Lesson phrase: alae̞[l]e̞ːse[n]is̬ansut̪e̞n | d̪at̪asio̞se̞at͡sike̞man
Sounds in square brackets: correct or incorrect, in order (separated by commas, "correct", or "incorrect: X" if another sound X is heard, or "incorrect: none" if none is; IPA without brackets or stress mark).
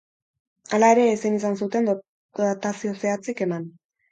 incorrect: ɾ, correct